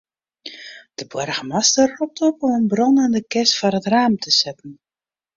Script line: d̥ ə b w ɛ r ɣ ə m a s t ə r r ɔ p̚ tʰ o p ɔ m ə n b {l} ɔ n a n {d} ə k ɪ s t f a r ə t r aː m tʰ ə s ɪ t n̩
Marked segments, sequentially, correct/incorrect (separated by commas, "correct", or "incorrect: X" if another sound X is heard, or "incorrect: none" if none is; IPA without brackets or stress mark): incorrect: r, correct